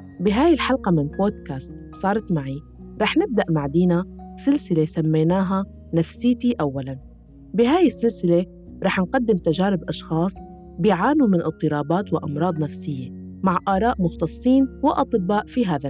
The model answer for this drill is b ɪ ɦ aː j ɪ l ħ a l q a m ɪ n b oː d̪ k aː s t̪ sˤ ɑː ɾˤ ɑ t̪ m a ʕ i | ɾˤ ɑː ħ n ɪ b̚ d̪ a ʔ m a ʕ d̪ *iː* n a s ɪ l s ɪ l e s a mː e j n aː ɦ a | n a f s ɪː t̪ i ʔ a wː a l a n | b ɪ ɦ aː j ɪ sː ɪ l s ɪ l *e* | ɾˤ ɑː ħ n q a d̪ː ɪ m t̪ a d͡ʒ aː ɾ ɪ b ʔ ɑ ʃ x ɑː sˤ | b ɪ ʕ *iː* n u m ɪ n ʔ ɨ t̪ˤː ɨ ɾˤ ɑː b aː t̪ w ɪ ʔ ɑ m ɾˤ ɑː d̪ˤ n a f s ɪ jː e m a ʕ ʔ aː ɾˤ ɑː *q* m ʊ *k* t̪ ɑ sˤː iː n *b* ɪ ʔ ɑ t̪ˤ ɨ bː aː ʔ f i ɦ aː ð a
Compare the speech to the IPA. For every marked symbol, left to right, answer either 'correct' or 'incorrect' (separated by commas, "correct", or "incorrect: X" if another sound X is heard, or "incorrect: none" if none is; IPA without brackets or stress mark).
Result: correct, correct, incorrect: aː, incorrect: ʔ, incorrect: x, incorrect: w